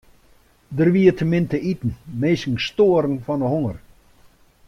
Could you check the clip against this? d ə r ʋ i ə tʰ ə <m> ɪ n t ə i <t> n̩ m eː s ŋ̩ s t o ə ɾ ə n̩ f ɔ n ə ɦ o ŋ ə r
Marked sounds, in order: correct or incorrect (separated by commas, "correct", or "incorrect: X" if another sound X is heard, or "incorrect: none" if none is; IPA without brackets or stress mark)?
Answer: correct, correct